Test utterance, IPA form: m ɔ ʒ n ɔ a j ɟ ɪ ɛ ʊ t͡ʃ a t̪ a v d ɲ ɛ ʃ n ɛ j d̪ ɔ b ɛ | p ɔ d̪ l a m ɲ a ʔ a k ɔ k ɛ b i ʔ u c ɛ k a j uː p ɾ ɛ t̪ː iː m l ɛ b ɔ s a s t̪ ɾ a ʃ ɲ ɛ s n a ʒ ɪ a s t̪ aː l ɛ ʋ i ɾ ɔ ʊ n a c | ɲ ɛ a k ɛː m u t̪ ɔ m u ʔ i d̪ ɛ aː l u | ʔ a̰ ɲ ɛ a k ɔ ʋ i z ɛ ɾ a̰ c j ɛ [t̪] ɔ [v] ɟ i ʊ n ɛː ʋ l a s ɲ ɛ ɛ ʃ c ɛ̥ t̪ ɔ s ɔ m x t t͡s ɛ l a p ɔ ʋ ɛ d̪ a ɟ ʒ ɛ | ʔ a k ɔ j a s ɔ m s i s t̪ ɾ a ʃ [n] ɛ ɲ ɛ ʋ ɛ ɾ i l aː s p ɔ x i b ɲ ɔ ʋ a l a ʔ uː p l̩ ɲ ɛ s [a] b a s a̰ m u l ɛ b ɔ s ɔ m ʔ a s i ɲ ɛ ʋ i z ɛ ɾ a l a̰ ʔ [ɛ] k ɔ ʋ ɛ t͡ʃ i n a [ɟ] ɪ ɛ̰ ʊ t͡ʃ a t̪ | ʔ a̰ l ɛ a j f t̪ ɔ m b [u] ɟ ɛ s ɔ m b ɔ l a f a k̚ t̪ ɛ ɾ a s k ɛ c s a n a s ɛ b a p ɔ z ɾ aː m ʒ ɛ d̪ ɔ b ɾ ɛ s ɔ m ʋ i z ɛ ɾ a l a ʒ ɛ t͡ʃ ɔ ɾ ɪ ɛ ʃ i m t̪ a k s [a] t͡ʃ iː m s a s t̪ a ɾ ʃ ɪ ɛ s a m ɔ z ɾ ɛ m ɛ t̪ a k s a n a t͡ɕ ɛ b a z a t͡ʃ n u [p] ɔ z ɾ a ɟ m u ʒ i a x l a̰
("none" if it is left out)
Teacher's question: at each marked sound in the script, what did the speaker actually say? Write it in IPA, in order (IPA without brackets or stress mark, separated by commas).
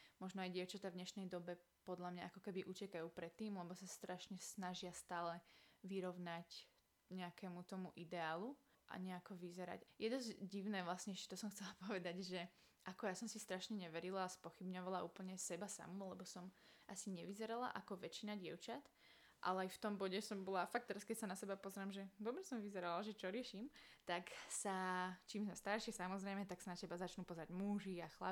d̪, z, ɲ, ɛ, a, ɟ, ɔ, a, p